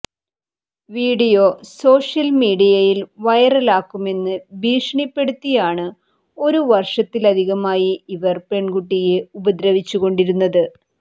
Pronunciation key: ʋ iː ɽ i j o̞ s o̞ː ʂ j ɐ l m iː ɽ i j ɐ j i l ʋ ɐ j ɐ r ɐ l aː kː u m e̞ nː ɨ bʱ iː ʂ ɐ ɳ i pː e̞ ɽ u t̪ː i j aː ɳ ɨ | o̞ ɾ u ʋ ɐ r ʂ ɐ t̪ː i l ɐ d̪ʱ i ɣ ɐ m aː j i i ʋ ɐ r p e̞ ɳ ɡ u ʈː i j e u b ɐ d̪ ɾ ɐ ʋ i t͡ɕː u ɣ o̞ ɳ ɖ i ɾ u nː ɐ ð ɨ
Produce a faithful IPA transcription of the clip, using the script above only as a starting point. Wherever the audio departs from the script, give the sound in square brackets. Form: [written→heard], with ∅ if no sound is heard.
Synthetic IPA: ʋ iː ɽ i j o̞ s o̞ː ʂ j ɐ l m iː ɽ i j ɐ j i l ʋ ɐ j ɐ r ɐ l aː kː u m e̞ nː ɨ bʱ iː ʂ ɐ ɳ i pː e̞ ɽ u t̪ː i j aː ɳ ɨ | o̞ ɾ u ʋ ɐ r ʂ ɐ t̪ː i l ɐ d̪ʱ i ɣ ɐ m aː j i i ʋ ɐ r p e̞ ɳ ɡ u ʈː i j e u b ɐ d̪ ɾ ɐ ʋ i t͡ɕː u ɣ o̞ ɳ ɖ i ɾ u nː ɐ ð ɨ